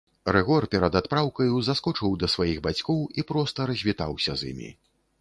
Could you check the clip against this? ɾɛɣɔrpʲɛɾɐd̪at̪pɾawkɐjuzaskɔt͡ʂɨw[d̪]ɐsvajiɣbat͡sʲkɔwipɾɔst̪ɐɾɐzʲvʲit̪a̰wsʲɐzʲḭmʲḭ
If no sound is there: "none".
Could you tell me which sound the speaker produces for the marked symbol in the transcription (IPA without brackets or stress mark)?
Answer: d̪